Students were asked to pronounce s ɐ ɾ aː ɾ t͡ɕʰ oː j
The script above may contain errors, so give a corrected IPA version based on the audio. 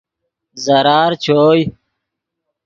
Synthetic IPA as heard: z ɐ ɾ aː ɾ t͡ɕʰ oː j